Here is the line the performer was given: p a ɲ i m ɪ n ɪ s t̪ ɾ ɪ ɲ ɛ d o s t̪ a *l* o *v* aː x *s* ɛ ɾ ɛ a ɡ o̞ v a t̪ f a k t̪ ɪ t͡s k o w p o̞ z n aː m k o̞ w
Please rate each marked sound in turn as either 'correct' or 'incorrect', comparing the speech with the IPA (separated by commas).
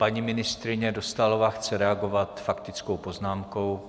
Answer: correct, correct, incorrect